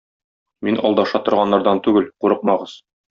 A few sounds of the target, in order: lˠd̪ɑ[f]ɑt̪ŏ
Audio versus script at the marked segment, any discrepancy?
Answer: yes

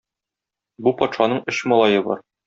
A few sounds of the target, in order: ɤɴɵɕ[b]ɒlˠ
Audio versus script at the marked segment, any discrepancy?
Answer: yes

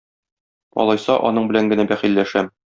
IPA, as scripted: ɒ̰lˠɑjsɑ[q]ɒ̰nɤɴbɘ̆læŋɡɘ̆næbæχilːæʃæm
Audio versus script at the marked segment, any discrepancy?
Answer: yes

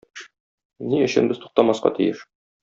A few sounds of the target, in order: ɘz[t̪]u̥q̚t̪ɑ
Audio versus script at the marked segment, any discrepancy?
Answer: no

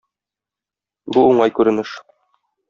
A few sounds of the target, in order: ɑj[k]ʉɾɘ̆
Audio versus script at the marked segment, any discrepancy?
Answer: no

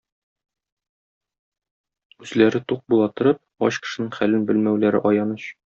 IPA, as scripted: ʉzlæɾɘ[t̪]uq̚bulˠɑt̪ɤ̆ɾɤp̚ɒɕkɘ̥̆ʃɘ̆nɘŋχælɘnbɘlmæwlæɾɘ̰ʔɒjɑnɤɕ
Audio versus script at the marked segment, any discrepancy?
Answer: no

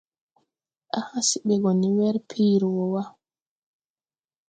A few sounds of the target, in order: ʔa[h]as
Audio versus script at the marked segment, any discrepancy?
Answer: no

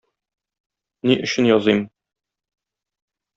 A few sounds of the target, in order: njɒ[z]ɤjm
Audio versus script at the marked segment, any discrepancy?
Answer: no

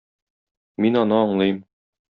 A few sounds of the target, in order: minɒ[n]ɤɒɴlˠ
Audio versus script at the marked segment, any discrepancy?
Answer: no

